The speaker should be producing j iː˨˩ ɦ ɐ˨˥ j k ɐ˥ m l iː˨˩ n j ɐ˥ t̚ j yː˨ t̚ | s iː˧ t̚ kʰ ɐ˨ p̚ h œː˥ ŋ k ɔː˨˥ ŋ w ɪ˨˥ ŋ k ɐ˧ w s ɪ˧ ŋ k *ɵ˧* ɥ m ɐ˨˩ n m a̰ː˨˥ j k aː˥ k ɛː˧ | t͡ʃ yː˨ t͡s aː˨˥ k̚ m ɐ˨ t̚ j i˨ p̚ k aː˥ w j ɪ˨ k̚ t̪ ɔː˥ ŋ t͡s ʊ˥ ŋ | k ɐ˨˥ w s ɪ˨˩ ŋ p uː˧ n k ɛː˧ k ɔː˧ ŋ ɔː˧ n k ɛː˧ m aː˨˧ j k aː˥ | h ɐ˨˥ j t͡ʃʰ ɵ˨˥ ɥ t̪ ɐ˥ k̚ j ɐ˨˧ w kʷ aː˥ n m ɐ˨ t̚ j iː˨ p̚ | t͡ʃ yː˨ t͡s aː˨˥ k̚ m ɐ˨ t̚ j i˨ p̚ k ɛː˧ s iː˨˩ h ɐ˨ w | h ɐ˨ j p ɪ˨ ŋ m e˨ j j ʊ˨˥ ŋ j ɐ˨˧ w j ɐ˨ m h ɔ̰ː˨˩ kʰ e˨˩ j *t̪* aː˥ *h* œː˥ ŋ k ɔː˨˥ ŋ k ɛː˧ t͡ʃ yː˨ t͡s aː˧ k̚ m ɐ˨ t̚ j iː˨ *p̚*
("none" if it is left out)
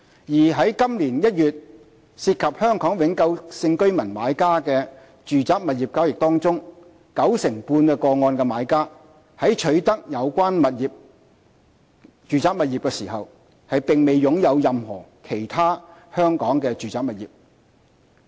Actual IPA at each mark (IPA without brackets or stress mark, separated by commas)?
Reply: ɵ˥, t̪ʰ, h, p̚